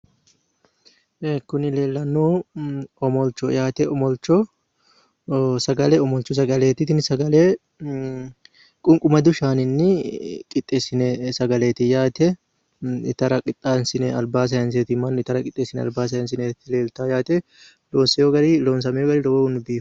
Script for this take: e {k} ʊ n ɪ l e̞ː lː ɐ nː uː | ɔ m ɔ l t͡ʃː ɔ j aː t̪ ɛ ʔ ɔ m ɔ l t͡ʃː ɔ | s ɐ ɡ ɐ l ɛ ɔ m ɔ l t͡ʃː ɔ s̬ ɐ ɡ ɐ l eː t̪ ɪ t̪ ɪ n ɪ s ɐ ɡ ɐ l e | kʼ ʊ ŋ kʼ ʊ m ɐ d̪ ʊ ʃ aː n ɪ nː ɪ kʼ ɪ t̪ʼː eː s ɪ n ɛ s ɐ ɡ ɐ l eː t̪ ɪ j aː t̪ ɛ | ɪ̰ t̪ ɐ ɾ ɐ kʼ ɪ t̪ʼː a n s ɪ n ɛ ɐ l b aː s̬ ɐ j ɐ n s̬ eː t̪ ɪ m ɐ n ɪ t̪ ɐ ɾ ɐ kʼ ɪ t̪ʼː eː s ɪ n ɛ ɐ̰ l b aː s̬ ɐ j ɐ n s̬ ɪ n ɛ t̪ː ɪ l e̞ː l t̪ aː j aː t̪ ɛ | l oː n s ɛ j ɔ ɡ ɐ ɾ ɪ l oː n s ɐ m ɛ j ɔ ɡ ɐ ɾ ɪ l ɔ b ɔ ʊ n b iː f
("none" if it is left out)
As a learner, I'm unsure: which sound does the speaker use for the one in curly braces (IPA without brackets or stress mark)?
k